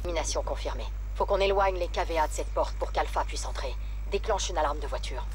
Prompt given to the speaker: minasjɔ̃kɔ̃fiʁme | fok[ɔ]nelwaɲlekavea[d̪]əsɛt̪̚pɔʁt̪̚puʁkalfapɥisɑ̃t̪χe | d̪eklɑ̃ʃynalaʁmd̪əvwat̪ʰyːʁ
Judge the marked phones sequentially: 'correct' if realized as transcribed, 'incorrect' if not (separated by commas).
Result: incorrect, correct